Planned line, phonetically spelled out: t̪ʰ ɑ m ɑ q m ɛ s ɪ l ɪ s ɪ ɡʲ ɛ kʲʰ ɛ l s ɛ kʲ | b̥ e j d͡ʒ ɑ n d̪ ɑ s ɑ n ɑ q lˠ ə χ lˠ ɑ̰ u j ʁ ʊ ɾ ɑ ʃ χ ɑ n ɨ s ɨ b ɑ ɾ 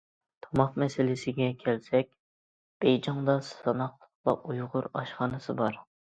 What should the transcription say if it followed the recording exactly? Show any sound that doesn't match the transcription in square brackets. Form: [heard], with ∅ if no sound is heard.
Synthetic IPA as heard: t̪ʰ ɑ m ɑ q m ɛ s ɪ l ɪ s ɪ ɡʲ ɛ kʲʰ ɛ l s ɛ kʲ | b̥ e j d͡ʒ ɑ [ŋ] d̪ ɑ s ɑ n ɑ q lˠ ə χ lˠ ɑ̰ u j ʁ ʊ ɾ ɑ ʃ χ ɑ n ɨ s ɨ b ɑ ɾ